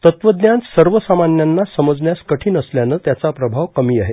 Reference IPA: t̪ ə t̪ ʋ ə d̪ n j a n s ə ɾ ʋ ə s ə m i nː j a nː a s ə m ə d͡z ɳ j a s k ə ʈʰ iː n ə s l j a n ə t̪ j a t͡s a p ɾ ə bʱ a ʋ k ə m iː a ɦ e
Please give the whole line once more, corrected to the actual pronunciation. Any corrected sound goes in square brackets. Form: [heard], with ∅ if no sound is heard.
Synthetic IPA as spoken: t̪ ə t̪ ʋ ə d̪ n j a n s ə ɾ ʋ ə s [a] m [a] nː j a nː a s ə m ə d͡z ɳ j a s k ə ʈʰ iː n ə s l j a n ə t̪ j a t͡s a p ɾ ə bʱ a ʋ k ə m iː a ɦ e